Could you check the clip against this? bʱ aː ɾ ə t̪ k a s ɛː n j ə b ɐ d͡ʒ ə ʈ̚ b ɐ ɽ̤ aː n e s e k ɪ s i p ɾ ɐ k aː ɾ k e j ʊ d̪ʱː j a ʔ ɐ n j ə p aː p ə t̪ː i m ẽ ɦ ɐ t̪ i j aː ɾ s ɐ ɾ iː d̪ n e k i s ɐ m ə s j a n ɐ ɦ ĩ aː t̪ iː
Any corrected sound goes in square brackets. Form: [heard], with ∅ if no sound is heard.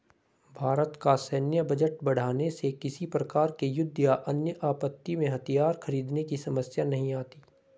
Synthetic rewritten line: bʱ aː ɾ ə t̪ k a s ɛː n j ə b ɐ d͡ʒ ə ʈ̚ b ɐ ɽ̤ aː n e s e k ɪ s i p ɾ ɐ k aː ɾ k e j ʊ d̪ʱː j a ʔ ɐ n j ə [ʔ] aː p ə t̪ː i m ẽ ɦ ɐ t̪ i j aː ɾ [x] ɐ ɾ iː d̪ n e k i s ɐ m ə s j a n ɐ ɦ ĩ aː t̪ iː